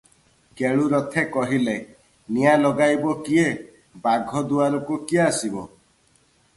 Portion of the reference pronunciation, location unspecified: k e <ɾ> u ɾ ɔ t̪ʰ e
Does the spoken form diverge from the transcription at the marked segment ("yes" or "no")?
yes